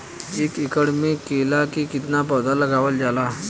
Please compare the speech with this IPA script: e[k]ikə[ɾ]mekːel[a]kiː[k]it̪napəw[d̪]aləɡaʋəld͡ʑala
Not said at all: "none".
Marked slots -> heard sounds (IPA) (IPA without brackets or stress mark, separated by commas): k, ɽ, a, k, d̪